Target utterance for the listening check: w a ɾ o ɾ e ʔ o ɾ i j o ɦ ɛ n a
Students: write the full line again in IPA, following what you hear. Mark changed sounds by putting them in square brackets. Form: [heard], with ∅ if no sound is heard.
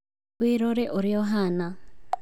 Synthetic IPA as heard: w [i] ɾ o ɾ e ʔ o ɾ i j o ɦ [a] n a